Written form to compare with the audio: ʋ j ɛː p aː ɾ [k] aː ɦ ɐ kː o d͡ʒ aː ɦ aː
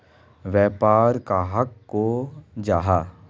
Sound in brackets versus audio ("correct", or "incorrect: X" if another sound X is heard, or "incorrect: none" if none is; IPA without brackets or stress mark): correct